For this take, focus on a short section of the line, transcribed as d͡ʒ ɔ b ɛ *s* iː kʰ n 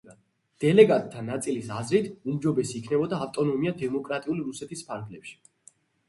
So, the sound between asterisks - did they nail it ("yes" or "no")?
yes